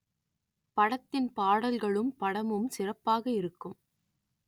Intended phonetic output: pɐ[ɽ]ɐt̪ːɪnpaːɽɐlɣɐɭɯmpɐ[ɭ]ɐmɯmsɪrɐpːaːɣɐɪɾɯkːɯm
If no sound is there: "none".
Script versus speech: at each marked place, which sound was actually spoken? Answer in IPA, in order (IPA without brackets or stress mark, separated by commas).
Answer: ɽ, ɽ